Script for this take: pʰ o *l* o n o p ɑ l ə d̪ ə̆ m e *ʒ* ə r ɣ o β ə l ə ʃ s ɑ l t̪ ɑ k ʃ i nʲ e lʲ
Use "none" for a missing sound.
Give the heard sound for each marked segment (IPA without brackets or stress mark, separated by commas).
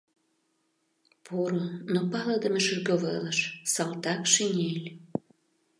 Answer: ɾ, ʃ